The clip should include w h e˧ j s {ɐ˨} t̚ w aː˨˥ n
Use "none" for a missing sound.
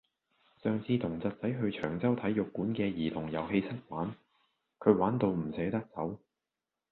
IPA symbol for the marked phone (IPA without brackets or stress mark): ɐ˥